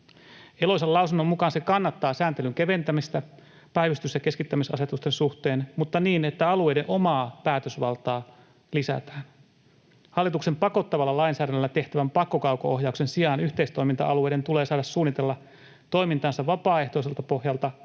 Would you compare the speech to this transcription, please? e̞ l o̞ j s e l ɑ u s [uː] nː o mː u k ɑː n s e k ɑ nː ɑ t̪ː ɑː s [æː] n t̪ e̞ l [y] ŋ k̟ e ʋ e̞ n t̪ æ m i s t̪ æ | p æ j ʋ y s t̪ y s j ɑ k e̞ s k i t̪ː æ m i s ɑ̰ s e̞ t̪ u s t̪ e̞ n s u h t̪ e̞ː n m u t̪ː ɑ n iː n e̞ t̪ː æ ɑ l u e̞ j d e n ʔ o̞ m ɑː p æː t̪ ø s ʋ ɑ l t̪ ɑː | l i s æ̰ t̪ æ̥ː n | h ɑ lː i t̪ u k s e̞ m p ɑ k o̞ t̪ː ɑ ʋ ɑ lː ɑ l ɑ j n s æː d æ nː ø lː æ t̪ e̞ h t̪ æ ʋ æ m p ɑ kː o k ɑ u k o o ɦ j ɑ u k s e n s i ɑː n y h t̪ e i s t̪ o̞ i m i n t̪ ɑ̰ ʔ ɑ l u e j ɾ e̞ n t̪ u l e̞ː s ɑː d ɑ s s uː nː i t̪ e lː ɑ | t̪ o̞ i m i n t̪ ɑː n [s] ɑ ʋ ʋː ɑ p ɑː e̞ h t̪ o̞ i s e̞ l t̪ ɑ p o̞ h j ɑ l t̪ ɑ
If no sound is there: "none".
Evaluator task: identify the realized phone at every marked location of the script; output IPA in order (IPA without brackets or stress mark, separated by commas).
u, æː, y, s